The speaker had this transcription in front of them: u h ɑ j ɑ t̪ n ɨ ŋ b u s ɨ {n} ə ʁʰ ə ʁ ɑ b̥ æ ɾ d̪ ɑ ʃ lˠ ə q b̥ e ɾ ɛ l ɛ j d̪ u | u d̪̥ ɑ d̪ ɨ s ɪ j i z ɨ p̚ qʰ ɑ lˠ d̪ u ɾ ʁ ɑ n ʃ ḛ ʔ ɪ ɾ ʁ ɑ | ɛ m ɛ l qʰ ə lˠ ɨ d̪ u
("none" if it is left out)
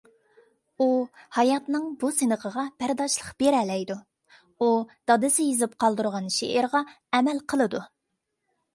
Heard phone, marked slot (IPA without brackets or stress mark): n